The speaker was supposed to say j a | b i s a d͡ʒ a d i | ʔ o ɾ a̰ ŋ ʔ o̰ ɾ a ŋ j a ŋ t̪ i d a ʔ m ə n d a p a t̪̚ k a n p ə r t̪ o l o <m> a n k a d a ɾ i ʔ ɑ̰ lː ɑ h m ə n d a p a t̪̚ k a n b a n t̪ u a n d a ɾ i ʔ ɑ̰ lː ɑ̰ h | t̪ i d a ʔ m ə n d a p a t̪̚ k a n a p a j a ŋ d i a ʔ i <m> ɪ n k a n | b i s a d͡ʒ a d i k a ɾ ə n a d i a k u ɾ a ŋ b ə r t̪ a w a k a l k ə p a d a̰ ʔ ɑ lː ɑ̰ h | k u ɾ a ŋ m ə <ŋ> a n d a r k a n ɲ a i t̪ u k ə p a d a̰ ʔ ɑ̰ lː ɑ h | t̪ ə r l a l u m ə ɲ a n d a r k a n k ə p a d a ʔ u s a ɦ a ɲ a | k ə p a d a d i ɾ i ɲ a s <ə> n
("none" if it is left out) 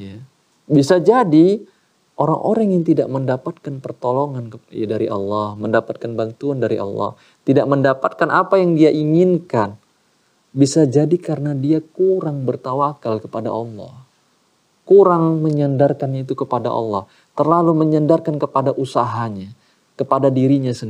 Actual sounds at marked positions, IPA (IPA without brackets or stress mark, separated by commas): ŋ, ŋ, ɲ, ə